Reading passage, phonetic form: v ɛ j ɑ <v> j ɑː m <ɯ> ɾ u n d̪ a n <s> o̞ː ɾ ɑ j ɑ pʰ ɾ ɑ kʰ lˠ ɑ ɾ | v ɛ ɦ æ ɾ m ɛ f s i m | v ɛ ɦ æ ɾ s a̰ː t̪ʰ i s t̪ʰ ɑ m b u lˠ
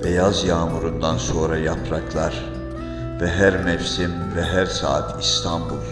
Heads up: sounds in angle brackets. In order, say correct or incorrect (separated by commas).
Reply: incorrect, incorrect, correct